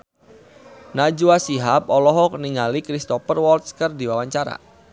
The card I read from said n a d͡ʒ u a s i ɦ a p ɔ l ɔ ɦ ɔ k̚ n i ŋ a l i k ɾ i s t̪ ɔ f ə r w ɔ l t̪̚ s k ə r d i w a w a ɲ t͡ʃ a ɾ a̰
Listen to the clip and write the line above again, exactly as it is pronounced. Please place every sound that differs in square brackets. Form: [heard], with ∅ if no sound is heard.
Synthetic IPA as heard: n a d͡ʒ u a s i ɦ a p ɔ l ɔ ɦ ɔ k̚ n i ŋ a l i k ɾ i s t̪ ɔ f ə r w ɔ l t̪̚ s k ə r d i w a w a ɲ t͡ʃ a ɾ a̰